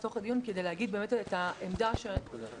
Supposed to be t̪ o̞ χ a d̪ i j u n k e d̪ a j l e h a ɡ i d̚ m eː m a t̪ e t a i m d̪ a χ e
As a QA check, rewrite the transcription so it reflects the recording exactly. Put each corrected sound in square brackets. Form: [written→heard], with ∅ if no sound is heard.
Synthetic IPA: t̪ o̞ χ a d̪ i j u n k e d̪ [a→e] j l e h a ɡ i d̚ [m→b] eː m [a→e] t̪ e t a [i→e] m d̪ a [χ→ʃ] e